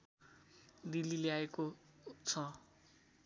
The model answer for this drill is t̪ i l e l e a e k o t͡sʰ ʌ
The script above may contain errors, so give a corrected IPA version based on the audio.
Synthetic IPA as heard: d̪ i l i l e a e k o t͡sʰ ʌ